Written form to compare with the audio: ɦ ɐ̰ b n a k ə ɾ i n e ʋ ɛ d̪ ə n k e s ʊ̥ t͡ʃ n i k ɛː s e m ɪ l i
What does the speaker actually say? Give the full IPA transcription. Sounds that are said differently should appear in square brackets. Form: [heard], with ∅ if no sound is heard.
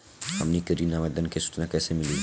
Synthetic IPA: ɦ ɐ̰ [m] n [i] k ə ɾ i n [a] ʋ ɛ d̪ ə n k e s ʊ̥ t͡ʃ n [a] k ɛː s e m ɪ l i

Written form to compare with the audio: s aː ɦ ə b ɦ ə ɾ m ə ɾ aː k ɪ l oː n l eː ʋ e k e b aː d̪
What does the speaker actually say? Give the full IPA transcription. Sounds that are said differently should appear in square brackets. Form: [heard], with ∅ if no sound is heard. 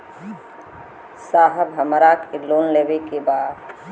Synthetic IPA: s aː ɦ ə b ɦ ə [∅] m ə ɾ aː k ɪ l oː n l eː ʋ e k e b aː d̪

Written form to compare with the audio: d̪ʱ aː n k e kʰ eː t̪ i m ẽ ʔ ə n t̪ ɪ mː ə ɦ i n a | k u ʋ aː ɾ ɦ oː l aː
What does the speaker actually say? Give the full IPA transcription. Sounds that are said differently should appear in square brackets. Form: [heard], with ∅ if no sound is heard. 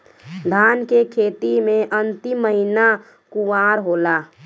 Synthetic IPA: d̪ʱ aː n k e kʰ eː t̪ i m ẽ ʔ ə n t̪ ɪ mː ə ɦ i n a | k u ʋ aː ɾ ɦ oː l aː

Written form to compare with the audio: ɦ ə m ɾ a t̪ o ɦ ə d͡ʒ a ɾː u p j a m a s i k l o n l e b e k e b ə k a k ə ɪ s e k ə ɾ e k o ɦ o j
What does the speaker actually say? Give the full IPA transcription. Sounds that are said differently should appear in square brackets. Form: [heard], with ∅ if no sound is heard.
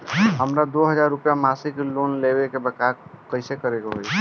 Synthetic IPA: ɦ ə m ɾ a [d̪] o ɦ ə d͡ʒ a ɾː u p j a m a s i k l o n l e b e k e b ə k a k ə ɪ s e k ə ɾ e k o ɦ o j

